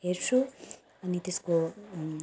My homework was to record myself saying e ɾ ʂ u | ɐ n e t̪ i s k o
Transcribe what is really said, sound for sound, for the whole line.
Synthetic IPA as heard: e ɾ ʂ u | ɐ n i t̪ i s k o

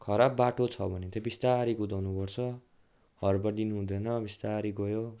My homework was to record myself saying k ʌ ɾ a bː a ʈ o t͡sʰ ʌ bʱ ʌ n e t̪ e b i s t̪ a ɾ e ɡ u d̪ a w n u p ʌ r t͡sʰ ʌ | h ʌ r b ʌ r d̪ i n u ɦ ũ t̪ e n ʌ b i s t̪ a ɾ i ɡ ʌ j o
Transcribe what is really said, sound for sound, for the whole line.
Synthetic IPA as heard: kʰ ʌ ɾ a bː a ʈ o t͡sʰ ʌ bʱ ʌ n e t̪ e b i s t̪ a ɾ i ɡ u d̪ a w n u p ʌ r t͡sʰ ʌ | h ʌ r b ʌ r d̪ i n u ɦ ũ d̪ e n ʌ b i s t̪ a ɾ i ɡ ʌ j o

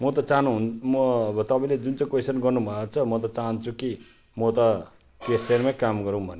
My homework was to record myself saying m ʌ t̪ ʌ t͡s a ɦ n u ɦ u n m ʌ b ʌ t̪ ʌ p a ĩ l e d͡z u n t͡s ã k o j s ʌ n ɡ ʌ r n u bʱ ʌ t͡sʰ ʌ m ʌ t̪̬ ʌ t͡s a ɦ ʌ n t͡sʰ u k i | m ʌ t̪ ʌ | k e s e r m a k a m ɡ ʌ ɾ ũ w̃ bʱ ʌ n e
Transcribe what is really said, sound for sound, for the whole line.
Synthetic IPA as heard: m ʌ t̪ ʌ t͡s a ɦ n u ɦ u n m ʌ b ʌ t̪ ʌ p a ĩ l e d͡z u n t͡s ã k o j s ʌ n ɡ ʌ r n u bʱ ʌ t͡sʰ ʌ m ʌ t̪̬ ʌ t͡s a ɦ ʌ n t͡sʰ u k i | m ʌ t̪ ʌ | k e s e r m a k a m ɡ ʌ ɾ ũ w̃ bʱ ʌ n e

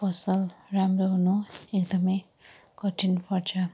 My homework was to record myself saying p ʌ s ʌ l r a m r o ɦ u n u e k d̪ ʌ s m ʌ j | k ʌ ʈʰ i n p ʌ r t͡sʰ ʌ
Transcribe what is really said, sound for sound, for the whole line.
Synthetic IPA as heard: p ʌ s ʌ l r a m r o ɦ u n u e k d̪ ʌ m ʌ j | k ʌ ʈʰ i n p ʌ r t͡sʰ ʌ

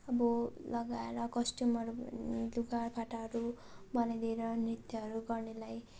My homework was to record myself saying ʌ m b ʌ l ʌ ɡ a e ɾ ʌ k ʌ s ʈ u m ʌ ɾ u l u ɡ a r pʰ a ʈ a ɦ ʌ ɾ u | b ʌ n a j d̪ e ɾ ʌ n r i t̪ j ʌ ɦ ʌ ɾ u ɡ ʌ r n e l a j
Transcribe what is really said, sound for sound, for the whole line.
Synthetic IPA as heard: ʌ b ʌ l ʌ ɡ a e ɾ ʌ k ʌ s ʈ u m ʌ ɾ u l u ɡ a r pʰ a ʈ a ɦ ʌ ɾ u | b ʌ n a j d̪ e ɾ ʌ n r i t̪ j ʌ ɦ ʌ ɾ u ɡ ʌ r n e l a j

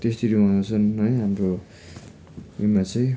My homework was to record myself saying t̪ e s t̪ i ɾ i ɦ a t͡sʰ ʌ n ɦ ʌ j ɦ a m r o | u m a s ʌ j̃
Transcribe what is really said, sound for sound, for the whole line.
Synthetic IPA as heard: t̪ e s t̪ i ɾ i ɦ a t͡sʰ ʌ n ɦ ʌ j ɦ a m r o | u m a t͡s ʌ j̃

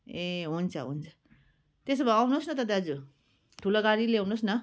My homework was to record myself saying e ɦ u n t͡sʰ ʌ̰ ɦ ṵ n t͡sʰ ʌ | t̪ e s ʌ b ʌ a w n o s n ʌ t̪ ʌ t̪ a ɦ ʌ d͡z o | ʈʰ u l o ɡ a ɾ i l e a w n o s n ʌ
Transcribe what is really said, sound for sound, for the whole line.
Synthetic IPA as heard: e ɦ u n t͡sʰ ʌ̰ ɦ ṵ n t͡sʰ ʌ | t̪ e s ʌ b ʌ a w n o s n ʌ t̪ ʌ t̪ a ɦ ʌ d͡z u | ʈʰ u l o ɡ a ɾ i l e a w n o s n ʌ

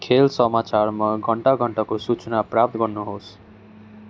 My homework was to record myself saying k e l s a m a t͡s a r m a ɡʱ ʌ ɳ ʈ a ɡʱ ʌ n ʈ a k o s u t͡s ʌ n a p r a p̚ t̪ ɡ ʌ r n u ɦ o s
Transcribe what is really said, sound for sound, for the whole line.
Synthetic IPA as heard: kʰ e l s ʌ m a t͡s a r m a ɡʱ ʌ ɳ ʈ a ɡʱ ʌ ɳ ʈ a k o s u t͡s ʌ n a p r a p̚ t̪ ɡ ʌ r n u ɦ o s

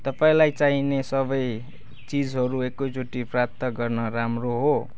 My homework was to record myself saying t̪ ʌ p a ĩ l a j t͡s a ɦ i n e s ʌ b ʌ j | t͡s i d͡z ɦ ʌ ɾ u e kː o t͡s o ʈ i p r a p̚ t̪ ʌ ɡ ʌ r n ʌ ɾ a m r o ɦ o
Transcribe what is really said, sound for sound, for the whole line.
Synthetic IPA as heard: t̪ ʌ p a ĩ l a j t͡s a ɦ i n e s ʌ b ʌ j | t͡s i d͡z ɦ ʌ ɾ u e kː o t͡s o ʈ i p r a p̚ t̪ ʌ ɡ ʌ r n ʌ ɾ a m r o ɦ o

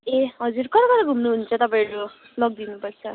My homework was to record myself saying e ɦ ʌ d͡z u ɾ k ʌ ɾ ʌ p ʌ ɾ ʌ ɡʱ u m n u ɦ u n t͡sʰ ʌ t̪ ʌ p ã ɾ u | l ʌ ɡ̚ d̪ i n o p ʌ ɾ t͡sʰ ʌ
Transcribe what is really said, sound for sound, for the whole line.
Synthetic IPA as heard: e ɦ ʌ d͡z u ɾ k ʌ ɾ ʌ k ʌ ɾ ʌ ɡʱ u m n u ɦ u n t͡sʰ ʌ t̪ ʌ p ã ɾ u | l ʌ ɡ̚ d̪ i n u p ʌ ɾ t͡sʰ ʌ

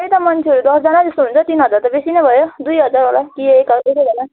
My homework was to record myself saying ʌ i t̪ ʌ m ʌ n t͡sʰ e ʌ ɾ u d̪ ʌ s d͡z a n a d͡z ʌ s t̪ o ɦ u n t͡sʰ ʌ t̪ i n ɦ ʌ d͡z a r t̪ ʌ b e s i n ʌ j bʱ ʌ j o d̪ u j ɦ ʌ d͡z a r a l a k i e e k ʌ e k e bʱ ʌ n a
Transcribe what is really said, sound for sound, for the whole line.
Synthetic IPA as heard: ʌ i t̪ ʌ m ʌ n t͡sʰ e ʌ ɾ u d̪ ʌ s d͡z a n a d͡z ʌ s t̪ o ɦ u n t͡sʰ ʌ t̪ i n ɦ ʌ d͡z a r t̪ ʌ b e s i n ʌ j bʱ ʌ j o d̪ u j ɦ ʌ d͡z a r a l a k i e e k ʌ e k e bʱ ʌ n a

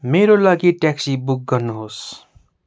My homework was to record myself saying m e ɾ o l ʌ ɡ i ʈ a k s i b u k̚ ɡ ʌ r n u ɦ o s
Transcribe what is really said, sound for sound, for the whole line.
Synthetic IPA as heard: m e ɾ o l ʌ ɡ i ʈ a k s i b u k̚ ɡ ʌ r n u ɦ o s

